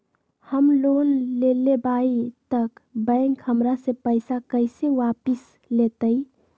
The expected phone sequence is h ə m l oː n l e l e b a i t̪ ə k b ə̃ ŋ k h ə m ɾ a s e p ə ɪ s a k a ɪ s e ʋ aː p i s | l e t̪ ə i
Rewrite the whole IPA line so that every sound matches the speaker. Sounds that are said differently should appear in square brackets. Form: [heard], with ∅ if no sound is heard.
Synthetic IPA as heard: h ə m l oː n l e l e b a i t̪ ə k b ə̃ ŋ k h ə m ɾ a s e p ə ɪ s a k [ə] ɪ s e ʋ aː p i s | l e t̪ ə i